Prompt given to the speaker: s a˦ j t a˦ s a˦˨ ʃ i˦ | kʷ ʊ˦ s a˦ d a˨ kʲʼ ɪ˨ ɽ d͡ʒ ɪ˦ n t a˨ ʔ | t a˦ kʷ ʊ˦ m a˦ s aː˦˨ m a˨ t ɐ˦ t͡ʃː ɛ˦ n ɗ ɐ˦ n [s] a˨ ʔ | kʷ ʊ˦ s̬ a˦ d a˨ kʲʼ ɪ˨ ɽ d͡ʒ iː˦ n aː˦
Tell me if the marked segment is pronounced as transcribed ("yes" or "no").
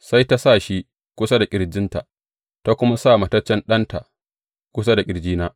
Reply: no